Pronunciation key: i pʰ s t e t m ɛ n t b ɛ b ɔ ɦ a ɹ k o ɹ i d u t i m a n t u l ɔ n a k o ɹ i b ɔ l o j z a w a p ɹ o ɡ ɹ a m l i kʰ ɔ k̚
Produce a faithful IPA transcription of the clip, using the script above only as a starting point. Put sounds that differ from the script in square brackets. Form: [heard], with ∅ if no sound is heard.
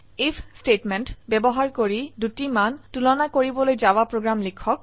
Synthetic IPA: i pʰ s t e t m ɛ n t b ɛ b ɔ ɦ a ɹ k o ɹ i d u t i m a n t u l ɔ n a k o ɹ i b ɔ l o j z a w a p ɹ o ɡ ɹ a m l i kʰ ɔ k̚